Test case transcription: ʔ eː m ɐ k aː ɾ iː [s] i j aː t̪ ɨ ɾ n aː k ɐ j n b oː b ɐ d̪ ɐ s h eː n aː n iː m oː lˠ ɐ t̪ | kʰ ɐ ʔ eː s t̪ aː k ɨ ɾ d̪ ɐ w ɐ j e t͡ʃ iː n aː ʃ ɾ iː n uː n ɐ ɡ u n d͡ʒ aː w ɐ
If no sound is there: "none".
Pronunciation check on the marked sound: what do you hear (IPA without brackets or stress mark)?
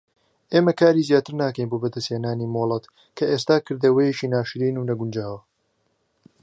z